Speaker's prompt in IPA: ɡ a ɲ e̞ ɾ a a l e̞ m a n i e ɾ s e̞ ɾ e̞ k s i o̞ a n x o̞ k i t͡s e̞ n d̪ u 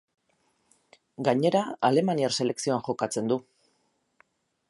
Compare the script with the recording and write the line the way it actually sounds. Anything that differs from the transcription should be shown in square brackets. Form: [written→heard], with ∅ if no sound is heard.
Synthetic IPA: ɡ a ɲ e̞ ɾ a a l e̞ m a n i [e→a] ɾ s e̞ [ɾ→l] e̞ k s i o̞ a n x o̞ k [i→a] t͡s e̞ n d̪ u